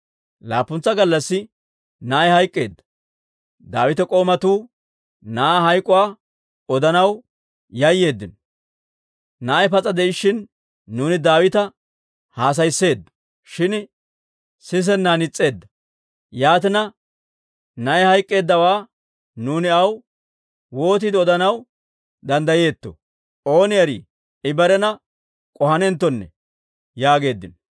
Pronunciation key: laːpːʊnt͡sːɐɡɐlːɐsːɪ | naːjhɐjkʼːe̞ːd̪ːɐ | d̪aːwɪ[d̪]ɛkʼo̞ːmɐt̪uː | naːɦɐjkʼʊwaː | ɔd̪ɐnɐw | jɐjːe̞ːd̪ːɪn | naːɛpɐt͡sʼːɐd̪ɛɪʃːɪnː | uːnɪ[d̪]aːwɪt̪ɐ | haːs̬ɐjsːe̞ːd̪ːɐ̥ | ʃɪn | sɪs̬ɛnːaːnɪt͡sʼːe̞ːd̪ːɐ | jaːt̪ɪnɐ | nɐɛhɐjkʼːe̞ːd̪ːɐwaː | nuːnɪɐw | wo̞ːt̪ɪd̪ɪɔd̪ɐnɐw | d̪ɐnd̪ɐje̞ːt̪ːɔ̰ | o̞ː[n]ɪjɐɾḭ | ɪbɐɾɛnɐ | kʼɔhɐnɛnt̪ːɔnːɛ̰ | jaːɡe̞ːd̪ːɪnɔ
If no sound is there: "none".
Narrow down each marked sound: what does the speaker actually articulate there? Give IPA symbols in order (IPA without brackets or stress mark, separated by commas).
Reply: t̪, d̪, n